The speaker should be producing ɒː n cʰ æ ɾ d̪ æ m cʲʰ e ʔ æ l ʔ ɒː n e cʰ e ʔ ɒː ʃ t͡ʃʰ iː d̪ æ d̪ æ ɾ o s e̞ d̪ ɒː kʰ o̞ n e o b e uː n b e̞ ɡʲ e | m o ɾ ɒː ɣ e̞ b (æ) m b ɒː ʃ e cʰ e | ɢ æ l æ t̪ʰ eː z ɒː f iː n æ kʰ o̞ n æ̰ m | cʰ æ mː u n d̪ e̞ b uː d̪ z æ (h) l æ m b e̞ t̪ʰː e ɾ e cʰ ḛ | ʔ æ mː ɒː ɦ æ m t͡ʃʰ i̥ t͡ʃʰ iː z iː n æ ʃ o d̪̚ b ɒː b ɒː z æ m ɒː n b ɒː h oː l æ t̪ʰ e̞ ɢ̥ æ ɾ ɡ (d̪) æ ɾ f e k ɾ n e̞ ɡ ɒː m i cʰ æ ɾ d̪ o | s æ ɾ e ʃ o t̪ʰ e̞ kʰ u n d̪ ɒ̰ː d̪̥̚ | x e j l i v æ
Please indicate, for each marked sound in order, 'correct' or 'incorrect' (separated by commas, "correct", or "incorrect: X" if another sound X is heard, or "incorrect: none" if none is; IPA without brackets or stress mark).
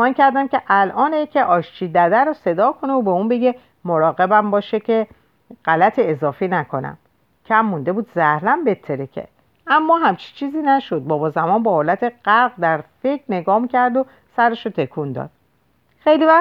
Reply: correct, correct, correct